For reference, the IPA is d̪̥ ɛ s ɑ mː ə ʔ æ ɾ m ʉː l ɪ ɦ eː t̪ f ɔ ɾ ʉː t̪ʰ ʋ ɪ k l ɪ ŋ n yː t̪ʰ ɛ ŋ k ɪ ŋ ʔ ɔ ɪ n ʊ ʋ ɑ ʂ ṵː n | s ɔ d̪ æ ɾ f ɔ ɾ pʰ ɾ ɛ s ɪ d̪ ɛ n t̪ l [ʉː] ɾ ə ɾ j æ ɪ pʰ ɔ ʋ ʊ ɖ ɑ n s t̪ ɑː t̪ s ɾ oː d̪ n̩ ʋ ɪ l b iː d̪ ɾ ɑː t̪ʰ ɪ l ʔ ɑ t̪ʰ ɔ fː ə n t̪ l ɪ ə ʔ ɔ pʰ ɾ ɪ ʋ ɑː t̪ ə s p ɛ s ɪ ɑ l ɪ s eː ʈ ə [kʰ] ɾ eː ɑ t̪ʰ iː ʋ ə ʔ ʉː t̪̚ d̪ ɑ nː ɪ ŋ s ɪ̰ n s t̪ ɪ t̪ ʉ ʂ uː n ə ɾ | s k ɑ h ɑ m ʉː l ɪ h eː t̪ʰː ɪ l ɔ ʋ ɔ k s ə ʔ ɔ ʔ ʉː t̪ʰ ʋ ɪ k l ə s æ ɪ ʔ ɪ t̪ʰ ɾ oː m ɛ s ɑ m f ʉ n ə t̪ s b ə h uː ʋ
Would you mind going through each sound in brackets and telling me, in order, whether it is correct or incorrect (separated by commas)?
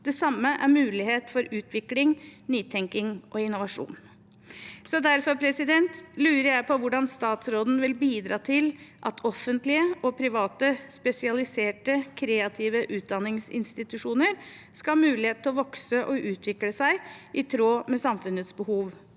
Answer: correct, correct